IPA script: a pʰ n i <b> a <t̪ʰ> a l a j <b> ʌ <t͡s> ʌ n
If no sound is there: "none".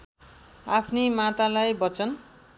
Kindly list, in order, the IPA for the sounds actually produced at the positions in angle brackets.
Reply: m, t̪, b, t͡s

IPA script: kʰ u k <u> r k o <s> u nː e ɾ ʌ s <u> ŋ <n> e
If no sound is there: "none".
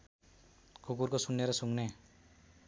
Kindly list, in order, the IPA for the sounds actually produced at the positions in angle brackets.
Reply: u, s, u, n

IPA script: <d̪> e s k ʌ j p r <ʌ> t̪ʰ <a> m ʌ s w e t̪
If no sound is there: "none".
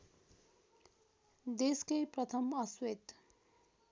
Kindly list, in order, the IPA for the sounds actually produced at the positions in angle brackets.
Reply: d̪, ʌ, ʌ

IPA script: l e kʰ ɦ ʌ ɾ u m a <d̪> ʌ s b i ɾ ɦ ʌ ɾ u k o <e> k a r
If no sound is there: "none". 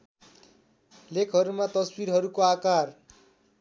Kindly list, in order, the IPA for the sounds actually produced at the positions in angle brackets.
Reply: t̪, a

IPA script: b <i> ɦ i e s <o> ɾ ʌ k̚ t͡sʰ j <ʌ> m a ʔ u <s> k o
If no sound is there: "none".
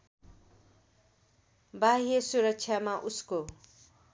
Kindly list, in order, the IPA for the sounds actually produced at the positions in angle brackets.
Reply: a, u, a, s

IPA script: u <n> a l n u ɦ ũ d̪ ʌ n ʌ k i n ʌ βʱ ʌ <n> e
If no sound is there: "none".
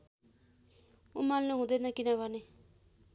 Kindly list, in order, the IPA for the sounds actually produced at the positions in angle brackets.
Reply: m, n

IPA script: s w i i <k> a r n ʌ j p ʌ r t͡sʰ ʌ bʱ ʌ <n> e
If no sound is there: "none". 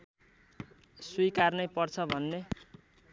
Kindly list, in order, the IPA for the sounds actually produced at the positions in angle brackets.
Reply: k, nː

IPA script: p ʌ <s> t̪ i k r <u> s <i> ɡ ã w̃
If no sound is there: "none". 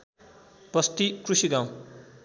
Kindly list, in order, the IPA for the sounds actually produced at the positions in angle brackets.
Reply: s, u, i

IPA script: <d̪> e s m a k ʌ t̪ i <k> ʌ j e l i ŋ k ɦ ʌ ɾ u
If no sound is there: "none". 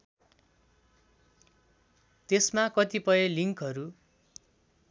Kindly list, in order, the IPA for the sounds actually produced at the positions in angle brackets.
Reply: t̪, p

